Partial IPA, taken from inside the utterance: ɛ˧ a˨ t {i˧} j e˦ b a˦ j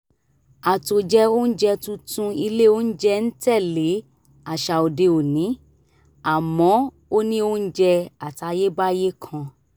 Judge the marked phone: incorrect: a˧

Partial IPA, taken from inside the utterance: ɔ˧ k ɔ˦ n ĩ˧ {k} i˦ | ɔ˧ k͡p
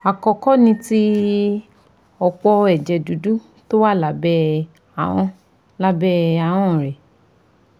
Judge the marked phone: incorrect: t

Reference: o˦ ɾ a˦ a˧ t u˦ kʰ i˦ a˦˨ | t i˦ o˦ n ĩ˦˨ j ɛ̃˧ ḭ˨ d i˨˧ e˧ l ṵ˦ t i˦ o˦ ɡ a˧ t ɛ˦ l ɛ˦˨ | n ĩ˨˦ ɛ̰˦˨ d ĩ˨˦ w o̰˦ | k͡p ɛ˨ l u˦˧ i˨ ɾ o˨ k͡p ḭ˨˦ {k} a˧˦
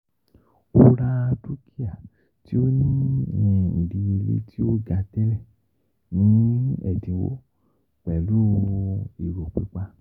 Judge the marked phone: incorrect: k͡p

